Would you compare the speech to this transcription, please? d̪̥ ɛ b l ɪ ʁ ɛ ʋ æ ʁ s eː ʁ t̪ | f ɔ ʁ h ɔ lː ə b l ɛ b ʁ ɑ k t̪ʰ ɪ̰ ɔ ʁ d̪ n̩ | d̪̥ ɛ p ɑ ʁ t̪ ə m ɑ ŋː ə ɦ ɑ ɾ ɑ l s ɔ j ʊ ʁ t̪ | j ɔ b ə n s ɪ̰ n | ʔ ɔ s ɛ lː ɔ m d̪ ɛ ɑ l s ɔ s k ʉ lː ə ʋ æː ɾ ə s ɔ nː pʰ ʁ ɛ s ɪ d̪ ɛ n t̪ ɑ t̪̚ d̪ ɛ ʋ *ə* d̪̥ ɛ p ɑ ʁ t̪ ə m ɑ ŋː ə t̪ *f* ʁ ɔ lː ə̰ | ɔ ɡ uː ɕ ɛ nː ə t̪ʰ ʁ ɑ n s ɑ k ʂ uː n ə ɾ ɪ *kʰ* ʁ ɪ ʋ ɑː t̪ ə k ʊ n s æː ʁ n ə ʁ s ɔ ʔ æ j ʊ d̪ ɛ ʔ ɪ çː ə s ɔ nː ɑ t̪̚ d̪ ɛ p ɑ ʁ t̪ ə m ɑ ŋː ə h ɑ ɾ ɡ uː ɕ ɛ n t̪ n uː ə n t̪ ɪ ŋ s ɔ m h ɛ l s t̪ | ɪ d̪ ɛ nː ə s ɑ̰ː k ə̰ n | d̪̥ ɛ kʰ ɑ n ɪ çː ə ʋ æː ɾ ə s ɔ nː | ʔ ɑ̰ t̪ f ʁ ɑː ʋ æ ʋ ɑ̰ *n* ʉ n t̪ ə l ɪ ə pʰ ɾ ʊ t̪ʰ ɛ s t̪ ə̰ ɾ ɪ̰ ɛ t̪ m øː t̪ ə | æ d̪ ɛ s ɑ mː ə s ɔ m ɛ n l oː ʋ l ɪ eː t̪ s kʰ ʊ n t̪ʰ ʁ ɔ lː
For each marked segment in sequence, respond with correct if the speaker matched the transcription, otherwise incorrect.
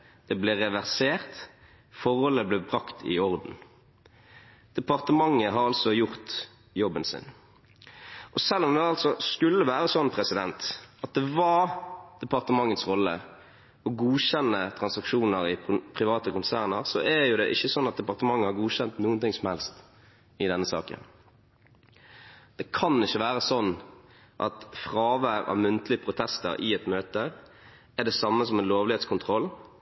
incorrect, incorrect, incorrect, incorrect

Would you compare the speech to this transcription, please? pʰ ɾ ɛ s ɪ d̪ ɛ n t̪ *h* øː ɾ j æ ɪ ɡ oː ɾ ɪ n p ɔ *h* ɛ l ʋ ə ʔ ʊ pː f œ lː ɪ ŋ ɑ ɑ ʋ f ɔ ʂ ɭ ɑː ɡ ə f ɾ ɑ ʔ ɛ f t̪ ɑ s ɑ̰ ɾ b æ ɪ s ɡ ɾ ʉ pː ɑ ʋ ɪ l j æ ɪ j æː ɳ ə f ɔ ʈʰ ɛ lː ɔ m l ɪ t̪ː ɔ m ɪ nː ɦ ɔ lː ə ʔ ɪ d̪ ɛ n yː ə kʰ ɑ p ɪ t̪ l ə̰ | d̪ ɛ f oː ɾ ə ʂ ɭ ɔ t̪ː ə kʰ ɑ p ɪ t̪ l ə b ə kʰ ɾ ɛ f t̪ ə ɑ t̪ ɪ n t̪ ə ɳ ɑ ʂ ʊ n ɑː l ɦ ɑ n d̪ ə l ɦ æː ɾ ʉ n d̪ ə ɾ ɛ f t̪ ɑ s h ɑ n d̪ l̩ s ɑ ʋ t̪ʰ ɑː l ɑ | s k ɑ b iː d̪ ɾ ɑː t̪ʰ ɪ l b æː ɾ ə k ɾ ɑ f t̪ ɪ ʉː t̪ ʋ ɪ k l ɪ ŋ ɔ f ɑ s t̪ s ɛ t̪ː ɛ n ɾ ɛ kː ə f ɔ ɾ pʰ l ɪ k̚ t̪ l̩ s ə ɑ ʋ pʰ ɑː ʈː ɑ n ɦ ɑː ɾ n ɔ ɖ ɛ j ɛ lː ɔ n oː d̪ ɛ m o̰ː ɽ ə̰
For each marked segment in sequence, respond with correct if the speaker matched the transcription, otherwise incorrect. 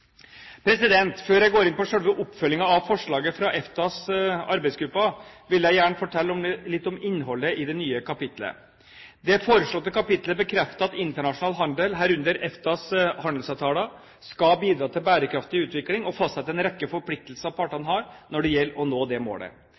incorrect, incorrect

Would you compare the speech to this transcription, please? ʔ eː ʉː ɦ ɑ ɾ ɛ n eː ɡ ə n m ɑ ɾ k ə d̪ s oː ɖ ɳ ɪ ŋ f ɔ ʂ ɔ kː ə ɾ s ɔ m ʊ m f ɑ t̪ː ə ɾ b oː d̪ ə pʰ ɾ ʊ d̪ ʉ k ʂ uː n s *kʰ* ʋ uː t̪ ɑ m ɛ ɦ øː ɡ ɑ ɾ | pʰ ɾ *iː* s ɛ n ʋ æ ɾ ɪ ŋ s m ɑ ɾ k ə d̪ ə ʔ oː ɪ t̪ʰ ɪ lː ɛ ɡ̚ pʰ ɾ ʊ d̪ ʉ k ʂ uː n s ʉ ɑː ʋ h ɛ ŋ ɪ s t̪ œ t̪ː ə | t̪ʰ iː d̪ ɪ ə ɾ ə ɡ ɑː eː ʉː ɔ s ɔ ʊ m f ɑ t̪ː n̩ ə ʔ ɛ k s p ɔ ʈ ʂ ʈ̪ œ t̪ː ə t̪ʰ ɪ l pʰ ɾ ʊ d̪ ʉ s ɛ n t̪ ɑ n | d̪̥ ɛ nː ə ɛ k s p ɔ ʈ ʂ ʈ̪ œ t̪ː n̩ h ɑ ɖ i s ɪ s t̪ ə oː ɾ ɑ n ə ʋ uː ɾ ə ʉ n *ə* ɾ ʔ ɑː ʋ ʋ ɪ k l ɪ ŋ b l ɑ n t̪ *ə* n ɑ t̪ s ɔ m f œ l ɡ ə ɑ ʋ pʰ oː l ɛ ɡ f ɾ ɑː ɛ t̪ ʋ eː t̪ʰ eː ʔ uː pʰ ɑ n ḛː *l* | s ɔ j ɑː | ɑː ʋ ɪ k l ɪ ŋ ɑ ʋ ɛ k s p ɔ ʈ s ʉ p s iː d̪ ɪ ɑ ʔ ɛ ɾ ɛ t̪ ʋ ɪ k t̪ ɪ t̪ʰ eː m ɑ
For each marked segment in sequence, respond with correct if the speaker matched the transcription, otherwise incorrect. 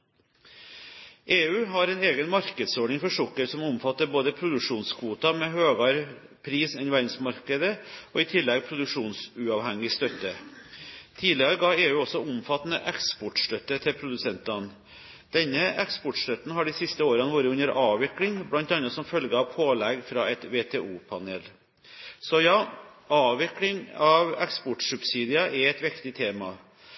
correct, correct, correct, incorrect, correct

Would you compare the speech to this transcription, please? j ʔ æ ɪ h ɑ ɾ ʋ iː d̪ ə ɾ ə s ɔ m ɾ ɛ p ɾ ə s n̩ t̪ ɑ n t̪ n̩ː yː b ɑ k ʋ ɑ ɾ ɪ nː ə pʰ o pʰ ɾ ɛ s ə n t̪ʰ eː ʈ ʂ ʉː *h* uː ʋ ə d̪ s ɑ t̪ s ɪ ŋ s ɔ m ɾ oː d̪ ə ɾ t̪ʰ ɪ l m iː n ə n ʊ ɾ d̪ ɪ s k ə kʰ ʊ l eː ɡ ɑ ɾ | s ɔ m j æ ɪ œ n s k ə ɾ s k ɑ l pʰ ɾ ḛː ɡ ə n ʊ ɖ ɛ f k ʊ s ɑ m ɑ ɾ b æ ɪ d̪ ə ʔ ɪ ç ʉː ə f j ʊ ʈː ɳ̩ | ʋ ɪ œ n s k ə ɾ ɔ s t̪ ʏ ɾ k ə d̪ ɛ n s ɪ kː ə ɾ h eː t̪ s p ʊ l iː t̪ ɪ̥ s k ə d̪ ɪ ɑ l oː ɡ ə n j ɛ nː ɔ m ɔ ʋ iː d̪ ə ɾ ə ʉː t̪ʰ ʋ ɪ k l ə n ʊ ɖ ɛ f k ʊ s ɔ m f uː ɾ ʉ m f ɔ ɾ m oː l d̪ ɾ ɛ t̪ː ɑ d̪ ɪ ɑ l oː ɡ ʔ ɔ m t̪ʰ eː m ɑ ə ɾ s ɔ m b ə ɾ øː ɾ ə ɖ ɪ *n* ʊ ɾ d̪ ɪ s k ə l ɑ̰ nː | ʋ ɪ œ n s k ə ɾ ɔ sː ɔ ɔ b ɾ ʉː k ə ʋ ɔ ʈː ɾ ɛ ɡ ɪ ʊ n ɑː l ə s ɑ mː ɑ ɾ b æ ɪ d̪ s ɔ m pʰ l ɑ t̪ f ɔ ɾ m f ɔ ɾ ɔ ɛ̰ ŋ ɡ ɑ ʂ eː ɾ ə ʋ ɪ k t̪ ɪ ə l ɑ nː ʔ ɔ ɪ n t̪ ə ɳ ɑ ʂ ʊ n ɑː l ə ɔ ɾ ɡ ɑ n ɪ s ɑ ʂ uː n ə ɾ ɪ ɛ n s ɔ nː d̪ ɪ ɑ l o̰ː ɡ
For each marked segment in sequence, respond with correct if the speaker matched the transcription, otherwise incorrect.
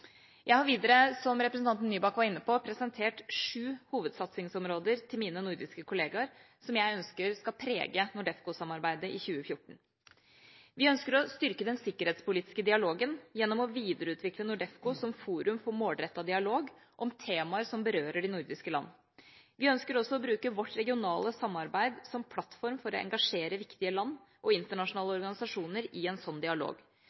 correct, correct

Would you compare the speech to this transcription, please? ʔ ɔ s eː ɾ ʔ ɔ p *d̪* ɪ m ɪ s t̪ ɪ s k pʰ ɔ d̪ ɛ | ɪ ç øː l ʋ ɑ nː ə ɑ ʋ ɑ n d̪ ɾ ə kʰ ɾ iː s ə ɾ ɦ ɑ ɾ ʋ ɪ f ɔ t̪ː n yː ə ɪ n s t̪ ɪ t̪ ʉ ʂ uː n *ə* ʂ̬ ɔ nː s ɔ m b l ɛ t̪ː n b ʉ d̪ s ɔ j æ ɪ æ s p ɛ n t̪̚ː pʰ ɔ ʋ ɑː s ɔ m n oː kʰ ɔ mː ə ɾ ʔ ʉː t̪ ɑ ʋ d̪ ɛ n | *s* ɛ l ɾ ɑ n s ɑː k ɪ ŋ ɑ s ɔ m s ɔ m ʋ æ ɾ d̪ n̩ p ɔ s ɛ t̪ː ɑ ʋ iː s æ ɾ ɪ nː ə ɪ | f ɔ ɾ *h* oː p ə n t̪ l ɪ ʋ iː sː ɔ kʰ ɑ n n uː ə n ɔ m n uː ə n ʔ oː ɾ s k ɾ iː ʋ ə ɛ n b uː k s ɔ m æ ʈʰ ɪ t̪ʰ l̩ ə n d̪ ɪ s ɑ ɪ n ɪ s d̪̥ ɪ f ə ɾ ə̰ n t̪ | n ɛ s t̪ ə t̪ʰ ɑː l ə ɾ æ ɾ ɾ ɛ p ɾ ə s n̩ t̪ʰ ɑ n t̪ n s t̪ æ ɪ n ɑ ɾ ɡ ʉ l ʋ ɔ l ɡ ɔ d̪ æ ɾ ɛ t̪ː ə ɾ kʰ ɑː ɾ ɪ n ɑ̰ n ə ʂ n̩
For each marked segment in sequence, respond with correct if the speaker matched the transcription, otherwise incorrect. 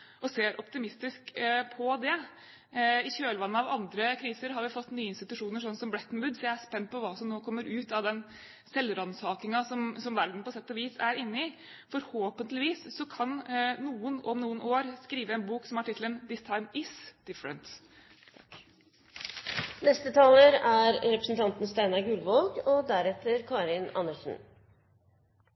incorrect, correct, correct, correct

